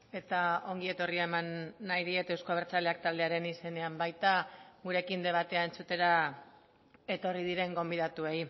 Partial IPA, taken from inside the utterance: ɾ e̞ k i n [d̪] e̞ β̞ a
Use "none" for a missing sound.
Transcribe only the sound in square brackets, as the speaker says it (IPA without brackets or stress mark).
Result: d̪